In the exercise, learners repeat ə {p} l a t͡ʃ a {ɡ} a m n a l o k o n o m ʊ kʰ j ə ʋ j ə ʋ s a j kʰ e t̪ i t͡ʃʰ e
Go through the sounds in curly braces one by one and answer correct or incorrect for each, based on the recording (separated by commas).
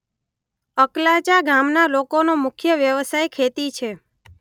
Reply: incorrect, correct